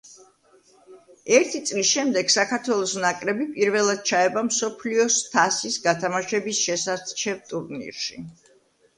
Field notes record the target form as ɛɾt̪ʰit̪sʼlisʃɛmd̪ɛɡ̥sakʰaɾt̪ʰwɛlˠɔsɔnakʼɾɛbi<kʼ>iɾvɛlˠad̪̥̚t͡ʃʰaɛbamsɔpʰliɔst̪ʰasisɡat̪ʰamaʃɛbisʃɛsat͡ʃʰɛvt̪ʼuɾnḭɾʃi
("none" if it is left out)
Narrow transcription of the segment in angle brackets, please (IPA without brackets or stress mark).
pʼ